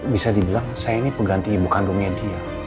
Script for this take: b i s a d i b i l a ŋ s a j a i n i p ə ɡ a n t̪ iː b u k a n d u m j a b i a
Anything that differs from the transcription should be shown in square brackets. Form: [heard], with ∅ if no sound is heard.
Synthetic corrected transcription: b i s a d i b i l a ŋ s a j a i n i p ə ɡ a n t̪ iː b u k a n d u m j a [d] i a